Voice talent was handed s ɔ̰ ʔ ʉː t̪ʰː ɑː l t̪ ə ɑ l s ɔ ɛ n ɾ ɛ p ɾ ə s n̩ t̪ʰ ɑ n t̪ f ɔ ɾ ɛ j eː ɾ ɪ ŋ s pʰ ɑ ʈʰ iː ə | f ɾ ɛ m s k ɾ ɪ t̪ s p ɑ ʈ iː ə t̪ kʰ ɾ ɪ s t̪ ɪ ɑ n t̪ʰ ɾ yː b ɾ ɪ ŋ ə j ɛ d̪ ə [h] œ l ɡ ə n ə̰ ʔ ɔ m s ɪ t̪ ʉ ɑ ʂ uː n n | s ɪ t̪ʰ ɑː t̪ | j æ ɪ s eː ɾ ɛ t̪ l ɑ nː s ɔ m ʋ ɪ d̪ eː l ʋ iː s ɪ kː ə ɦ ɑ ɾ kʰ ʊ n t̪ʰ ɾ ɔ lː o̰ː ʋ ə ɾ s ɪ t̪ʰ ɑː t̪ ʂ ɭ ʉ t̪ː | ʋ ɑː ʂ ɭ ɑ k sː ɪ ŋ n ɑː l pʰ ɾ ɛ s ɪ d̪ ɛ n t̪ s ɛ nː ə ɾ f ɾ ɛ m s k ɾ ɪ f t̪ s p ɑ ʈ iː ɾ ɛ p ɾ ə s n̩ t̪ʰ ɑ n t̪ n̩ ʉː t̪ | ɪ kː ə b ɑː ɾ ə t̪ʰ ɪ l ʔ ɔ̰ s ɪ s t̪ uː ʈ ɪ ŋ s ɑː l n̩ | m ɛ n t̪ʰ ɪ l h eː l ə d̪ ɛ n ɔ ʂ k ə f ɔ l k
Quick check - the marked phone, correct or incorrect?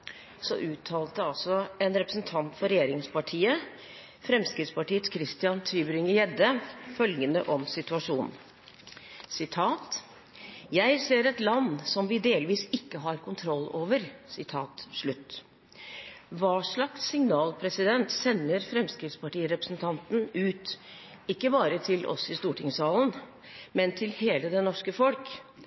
incorrect